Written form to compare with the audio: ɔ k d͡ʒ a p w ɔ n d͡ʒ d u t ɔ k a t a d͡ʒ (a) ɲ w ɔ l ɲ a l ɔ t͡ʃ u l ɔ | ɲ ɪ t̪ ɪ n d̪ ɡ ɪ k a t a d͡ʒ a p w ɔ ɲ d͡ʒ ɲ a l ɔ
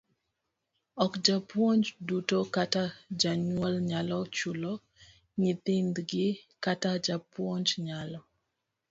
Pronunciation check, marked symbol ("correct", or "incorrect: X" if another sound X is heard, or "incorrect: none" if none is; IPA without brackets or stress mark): correct